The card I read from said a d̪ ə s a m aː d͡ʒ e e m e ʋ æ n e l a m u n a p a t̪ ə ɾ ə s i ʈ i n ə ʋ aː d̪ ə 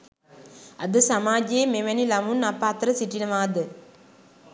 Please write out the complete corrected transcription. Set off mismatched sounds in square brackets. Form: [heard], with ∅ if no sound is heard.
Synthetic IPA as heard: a d̪ ə s a m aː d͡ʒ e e m e ʋ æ n [i] l a m u n a p a t̪ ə ɾ ə s i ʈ i n ə ʋ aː d̪ ə

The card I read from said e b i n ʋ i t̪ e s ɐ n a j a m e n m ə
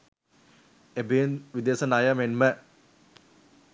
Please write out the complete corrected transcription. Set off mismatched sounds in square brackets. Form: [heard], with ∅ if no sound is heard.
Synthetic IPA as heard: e b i n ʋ i [d̪] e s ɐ n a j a m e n m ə

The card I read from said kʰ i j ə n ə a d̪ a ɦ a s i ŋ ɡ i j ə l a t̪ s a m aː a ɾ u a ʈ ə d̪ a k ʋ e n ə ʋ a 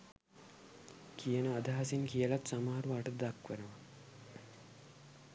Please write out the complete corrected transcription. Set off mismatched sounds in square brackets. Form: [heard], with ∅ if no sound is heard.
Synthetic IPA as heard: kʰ i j ə n ə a d̪ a ɦ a s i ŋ [k] i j ə l a t̪ s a m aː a ɾ u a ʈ ə d̪ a k ʋ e n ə ʋ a

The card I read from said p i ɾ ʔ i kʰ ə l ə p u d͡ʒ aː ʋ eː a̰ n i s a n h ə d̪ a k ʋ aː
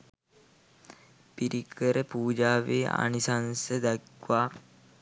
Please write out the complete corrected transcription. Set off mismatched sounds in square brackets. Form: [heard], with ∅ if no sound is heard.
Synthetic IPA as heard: p i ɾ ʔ i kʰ ə [ɾ] ə p [uː] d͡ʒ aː ʋ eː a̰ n i s a n [s] ə d̪ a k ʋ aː

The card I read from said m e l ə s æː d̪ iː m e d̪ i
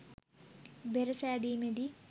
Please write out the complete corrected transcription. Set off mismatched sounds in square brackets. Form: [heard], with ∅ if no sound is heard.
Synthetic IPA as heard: [b] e [ɾ] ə s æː d̪ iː m e d̪ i

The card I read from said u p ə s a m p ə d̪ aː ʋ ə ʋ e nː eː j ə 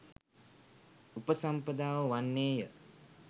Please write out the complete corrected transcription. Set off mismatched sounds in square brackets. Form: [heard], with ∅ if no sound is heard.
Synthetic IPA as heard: u p ə s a m p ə d̪ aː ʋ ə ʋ [a] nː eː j ə

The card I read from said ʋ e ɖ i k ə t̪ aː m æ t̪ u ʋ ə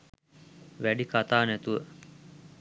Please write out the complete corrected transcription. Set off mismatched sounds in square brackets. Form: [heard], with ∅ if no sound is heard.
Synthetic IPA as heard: ʋ [æ] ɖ i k [a] t̪ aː [n] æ t̪ u ʋ ə

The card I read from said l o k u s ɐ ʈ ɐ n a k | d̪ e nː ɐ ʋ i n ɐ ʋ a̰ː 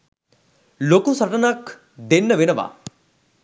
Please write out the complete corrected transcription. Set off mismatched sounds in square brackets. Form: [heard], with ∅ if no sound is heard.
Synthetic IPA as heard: l o k u s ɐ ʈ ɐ n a k | d̪ e nː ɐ ʋ [e] n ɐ ʋ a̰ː

